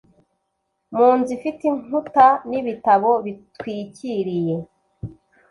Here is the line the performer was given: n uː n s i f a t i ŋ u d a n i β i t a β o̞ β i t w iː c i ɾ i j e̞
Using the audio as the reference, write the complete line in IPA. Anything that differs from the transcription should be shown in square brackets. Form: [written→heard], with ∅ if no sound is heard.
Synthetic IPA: [n→m] uː n [s→z] i f [a→i] t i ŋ u [d→t] a n i β i t a β o̞ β i t w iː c i ɾ i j e̞